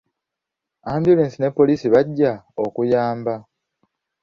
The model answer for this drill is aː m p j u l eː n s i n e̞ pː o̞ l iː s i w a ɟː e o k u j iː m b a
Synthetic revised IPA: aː m b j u l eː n s i n e̞ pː o̞ l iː s i β a ɟː a o k u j aː m b a